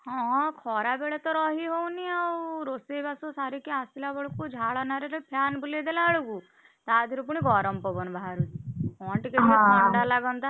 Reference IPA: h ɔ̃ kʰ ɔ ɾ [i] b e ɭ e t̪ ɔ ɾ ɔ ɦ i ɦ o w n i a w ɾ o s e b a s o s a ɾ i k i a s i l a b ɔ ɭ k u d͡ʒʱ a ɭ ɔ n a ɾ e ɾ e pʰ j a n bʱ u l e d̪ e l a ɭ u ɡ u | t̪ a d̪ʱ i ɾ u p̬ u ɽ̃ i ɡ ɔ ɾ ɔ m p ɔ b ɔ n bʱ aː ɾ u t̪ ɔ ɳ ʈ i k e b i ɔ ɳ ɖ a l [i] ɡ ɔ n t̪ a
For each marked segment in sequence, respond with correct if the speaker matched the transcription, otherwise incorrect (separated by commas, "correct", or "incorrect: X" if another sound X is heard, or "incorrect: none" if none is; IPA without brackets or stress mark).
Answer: incorrect: a, incorrect: a